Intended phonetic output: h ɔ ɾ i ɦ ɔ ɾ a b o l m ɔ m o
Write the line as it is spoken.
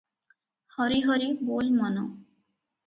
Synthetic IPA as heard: h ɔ ɾ i ɦ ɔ ɾ i b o l m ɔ n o

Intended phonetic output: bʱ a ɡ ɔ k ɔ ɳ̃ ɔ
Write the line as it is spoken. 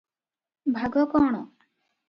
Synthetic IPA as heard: bʱ a ɡ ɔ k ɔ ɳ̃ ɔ

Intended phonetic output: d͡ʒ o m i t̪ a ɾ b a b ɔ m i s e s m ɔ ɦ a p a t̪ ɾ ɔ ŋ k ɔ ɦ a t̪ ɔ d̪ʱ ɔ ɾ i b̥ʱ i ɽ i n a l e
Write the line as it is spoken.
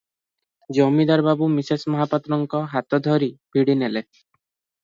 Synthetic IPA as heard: d͡ʒ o m i d̪ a ɾ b a b u m i s e s m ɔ ɦ a p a t̪ ɾ ɔ ŋ k ɔ ɦ a t̪ ɔ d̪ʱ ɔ ɾ i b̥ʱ i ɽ i n e l e

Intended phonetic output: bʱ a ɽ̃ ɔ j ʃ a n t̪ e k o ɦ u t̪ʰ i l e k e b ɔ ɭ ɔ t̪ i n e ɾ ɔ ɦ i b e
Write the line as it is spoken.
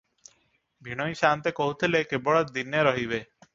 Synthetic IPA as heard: bʱ i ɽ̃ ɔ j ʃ a n t̪ e k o ɦ u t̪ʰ i l e k e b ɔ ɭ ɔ d̪ i n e ɾ ɔ ɦ i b e

